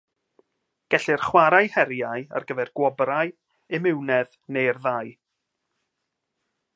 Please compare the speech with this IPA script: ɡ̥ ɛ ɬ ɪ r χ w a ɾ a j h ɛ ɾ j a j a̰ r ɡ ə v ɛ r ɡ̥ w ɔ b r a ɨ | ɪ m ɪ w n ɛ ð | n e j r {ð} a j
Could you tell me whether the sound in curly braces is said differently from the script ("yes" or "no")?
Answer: no